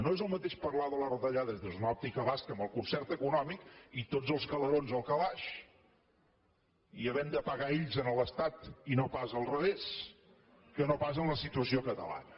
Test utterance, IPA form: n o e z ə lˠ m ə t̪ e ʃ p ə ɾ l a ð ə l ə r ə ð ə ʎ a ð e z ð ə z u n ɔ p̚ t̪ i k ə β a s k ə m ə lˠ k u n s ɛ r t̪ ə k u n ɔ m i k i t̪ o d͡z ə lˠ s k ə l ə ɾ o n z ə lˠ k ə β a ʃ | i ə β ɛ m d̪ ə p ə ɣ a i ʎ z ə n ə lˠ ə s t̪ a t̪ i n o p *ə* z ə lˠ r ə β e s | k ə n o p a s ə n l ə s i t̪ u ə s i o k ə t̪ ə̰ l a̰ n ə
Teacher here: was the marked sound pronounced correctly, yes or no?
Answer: no